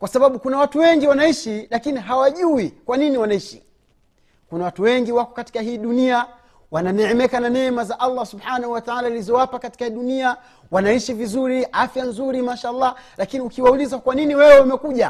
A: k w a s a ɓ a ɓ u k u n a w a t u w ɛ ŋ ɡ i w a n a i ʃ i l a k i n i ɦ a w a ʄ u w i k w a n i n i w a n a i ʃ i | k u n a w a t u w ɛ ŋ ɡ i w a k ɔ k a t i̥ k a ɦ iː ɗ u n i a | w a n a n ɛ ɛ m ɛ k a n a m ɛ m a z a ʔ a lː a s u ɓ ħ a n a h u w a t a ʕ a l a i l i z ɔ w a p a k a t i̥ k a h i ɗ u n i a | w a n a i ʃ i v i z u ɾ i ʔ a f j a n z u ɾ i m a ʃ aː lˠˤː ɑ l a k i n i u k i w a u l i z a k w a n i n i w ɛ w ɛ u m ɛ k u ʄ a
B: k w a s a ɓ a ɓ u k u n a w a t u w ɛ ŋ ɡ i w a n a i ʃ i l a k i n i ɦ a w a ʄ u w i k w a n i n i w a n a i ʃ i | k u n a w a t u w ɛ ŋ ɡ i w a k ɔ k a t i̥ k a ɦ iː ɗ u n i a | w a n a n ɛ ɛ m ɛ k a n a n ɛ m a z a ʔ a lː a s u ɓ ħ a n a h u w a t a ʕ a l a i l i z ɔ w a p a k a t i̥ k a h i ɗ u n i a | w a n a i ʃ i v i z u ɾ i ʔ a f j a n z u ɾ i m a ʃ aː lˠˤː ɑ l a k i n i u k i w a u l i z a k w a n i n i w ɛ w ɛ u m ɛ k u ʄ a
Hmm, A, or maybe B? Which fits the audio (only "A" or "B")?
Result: B